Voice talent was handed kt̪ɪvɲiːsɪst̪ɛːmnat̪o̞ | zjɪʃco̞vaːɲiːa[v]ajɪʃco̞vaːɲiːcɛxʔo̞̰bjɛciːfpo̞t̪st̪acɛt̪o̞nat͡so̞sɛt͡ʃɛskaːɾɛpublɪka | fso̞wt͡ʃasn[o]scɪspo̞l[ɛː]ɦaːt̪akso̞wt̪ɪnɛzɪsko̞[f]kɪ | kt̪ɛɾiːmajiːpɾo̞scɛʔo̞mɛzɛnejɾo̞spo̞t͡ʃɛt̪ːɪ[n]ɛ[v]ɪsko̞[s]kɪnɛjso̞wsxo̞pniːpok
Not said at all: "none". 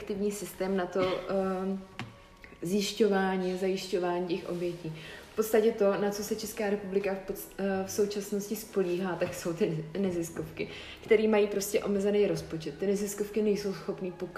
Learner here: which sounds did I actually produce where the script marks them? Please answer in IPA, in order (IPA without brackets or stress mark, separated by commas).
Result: z, o, iː, f, n, z, f